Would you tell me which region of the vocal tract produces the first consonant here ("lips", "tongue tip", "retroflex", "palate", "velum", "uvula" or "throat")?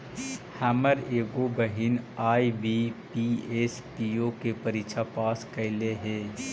throat